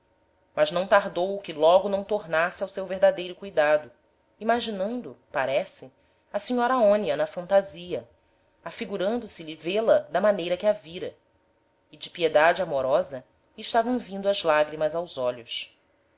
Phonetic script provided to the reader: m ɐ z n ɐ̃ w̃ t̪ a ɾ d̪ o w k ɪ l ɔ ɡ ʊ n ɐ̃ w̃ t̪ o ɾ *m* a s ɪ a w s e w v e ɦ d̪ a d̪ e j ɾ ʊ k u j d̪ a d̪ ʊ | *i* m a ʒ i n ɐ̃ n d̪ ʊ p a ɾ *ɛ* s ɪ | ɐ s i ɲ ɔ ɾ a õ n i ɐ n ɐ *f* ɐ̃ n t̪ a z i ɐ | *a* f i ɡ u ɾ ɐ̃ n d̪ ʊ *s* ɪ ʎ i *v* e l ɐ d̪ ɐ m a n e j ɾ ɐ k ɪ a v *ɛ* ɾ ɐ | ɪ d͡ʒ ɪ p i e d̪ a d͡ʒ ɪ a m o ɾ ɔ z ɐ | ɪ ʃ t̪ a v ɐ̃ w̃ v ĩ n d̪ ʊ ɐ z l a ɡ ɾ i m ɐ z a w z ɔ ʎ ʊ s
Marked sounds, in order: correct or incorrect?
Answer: incorrect, correct, correct, correct, correct, correct, correct, incorrect

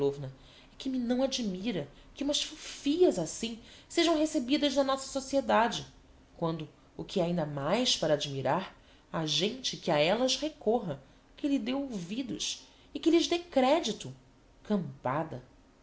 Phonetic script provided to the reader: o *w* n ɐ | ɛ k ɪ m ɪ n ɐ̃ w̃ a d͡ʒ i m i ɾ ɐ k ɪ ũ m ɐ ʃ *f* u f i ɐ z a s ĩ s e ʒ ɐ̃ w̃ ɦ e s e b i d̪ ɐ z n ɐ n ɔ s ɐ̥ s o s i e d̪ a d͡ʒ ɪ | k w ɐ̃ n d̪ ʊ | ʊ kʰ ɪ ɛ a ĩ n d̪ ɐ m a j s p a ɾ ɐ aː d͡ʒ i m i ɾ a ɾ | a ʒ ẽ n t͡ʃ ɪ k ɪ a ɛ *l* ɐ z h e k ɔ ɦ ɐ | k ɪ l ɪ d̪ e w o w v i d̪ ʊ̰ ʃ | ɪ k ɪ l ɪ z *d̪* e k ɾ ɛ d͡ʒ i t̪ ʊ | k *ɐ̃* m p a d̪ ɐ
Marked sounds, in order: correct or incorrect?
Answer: incorrect, correct, correct, correct, correct

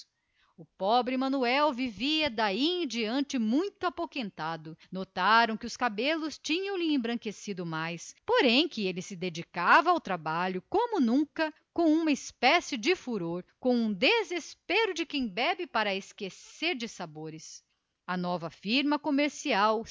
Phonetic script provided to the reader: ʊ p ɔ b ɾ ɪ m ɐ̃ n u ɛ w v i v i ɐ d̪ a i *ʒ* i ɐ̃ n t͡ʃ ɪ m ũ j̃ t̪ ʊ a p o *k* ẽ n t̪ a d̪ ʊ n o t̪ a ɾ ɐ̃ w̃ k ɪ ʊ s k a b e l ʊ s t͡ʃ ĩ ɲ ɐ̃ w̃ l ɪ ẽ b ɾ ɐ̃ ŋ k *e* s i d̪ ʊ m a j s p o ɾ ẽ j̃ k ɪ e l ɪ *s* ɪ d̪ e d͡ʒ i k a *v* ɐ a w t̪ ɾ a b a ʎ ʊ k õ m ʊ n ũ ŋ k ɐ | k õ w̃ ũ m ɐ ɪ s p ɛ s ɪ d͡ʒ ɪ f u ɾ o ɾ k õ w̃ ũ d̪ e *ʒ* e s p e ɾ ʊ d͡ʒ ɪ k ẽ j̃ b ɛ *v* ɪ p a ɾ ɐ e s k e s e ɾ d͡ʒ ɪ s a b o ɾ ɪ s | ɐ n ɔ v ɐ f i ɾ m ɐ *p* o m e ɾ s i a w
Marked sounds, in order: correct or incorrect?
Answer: incorrect, correct, correct, correct, correct, incorrect, incorrect, incorrect

